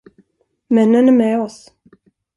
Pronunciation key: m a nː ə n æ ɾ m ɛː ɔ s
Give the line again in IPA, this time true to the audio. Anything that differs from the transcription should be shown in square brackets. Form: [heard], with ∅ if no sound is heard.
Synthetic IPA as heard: m [ɛ] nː ə n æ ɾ m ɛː ɔ s

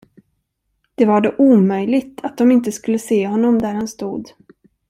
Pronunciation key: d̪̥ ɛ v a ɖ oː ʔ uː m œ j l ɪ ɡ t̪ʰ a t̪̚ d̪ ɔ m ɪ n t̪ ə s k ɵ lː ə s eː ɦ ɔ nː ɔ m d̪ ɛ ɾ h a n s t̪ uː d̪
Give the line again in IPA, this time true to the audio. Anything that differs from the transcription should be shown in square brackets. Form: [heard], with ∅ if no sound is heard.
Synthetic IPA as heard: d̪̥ ɛ v a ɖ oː ʔ uː m œ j l ɪ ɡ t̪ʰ a t̪̚ d̪ ɔ m ɪ n t̪ ə s k ɵ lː ə s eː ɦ ɔ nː ɔ m d̪ [æ] ɾ h a n s t̪ uː d̪

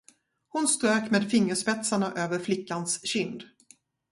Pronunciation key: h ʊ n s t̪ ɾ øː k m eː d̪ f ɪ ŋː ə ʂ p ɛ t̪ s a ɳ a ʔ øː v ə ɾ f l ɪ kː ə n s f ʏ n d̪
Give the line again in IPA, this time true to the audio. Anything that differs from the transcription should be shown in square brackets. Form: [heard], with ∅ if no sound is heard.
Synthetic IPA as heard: h ʊ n s t̪ ɾ øː k m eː d̪ f ɪ ŋː ə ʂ p ɛ t̪ s a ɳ a ʔ øː v ə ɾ f l ɪ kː [a] n s [ɕ] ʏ n d̪

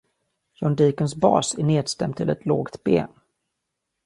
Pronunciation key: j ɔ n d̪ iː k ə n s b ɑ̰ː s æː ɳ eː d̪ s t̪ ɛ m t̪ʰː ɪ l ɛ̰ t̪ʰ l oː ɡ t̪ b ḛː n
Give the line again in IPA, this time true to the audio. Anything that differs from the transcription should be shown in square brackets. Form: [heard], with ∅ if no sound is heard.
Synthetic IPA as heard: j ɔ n d̪ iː k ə n s b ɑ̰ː s [æ] ɳ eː d̪ s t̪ ɛ m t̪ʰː ɪ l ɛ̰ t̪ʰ l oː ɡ t̪ b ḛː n

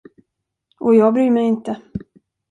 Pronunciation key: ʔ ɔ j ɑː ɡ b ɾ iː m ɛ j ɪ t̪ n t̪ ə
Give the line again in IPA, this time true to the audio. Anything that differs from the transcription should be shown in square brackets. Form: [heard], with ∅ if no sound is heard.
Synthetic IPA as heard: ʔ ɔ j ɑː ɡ b ɾ [yː] m ɛ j ɪ [∅] n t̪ ə

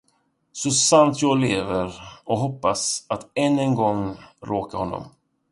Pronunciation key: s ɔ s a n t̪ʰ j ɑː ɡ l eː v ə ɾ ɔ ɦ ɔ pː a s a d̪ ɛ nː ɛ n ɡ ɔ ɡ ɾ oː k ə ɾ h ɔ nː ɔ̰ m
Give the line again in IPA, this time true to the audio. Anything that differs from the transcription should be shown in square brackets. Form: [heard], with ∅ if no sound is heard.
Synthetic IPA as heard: s ɔ s a n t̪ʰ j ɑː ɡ l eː v ə ɾ ɔ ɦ ɔ pː a s a [t̪] ɛ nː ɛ n ɡ ɔ [ŋ] ɾ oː k [a] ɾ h ɔ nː ɔ̰ m

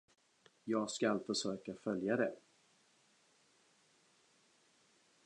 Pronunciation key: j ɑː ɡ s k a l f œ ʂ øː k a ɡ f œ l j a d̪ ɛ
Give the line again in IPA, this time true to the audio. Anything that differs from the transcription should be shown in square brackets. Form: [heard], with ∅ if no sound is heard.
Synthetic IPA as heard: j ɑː ɡ s k a l f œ ʂ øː k a [∅] f œ l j a d̪ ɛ

